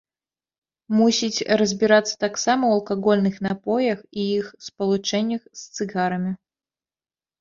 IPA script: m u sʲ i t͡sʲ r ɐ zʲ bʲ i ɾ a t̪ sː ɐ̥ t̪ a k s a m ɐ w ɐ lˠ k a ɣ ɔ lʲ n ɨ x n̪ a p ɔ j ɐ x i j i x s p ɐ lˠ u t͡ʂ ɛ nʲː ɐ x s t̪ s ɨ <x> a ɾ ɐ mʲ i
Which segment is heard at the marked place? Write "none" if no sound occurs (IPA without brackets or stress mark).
ɣ